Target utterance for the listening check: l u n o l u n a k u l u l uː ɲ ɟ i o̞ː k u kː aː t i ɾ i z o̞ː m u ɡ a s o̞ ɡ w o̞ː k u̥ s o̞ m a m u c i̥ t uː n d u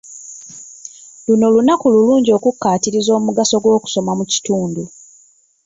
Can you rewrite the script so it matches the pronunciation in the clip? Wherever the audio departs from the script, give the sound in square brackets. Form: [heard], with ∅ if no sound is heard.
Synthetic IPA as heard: l u n o l u n a k u l u l uː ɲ ɟ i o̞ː k u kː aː t i ɾ i z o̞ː m u ɡ a s o̞ ɡ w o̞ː k u̥ s o̞ m a m u c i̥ t uː n d u